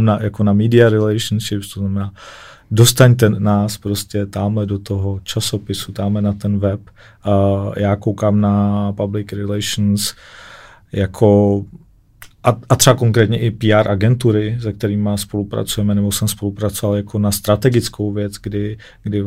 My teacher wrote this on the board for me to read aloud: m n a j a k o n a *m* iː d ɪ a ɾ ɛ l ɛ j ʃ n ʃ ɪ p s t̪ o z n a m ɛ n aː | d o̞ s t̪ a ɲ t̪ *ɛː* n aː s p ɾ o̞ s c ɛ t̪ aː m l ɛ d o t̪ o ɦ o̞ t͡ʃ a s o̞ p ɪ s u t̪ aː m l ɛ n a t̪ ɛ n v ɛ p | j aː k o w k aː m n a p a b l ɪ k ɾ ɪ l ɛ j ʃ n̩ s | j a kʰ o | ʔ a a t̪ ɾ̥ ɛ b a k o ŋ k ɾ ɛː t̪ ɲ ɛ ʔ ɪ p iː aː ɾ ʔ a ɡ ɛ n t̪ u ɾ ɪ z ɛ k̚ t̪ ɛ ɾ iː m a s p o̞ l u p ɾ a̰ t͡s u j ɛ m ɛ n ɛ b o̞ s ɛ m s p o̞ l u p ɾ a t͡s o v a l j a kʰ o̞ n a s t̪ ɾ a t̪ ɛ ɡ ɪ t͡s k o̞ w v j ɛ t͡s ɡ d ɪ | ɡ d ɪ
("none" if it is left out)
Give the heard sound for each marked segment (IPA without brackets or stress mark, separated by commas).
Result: m, ɛ